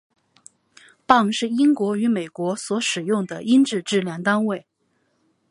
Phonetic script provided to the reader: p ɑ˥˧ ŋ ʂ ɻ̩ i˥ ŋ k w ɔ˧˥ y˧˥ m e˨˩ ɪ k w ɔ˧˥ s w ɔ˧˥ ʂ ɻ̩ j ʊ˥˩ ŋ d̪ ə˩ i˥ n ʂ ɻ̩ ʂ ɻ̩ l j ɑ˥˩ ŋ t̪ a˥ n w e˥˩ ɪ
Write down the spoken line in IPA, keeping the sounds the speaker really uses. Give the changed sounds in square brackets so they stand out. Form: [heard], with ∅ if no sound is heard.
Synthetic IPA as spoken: p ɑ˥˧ ŋ ʂ ɻ̩ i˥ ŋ k w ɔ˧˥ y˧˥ m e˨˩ ɪ k w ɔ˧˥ s w ɔ˧˥ ʂ ɻ̩ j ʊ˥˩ ŋ d̪ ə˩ i˥ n [ʈ͡ʂ] ɻ̩ [ʈ͡ʂ] ɻ̩ l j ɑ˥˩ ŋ t̪ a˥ n w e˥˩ ɪ